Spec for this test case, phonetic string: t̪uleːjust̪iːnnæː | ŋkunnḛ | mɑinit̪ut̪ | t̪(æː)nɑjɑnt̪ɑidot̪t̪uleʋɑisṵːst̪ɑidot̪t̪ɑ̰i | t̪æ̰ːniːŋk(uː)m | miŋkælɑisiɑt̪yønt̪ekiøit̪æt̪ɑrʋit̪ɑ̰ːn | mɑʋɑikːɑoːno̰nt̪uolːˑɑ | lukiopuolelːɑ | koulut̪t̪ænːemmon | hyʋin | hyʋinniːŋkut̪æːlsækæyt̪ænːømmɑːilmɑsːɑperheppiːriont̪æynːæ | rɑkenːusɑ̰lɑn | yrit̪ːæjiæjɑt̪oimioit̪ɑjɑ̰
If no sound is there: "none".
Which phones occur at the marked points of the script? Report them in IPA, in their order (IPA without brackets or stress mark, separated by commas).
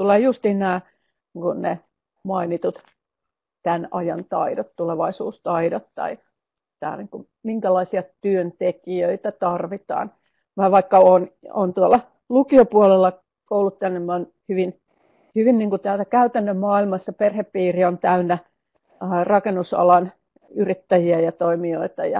æ, u